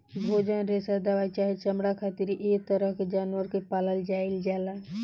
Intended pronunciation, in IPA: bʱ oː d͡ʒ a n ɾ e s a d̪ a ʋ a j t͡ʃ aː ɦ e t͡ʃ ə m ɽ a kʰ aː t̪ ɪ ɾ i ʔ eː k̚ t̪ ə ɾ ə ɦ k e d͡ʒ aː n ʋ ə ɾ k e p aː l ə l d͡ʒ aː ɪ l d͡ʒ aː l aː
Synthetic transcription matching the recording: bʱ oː d͡ʒ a n ɾ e s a d̪ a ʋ a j t͡ʃ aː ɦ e t͡ʃ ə m ɽ a kʰ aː t̪ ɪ ɾ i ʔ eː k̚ t̪ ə ɾ ə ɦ k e d͡ʒ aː n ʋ ə ɾ k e p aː l ə l d͡ʒ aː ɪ l d͡ʒ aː l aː